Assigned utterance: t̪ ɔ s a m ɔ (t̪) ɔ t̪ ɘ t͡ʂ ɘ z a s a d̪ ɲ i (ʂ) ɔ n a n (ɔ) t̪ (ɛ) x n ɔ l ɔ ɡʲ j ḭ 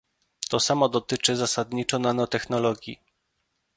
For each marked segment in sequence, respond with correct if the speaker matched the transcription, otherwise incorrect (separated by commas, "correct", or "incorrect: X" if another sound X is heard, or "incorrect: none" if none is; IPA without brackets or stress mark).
incorrect: d̪, incorrect: t͡ʂ, correct, correct